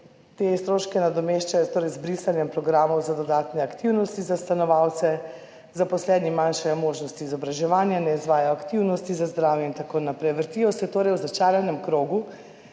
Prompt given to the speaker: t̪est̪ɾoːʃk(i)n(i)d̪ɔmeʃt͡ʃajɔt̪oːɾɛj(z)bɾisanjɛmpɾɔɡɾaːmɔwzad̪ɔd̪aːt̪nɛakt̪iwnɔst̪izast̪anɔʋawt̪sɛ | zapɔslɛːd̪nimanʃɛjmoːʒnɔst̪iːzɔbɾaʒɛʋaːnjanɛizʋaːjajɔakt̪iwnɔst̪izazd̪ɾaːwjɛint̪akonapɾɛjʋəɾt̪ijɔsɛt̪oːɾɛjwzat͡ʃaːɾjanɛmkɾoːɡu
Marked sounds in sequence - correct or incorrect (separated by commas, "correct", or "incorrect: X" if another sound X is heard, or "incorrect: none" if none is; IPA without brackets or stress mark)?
incorrect: ɛ, incorrect: a, correct